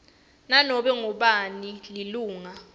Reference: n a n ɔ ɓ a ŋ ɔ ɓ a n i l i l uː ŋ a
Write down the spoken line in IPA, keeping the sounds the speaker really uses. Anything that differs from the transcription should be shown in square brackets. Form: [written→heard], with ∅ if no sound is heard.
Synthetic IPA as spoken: n a n ɔ ɓ [a→ɛ] ŋ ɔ ɓ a n i l i l uː ŋ a